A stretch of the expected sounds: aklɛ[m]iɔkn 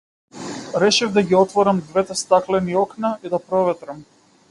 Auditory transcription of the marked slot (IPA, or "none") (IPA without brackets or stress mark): n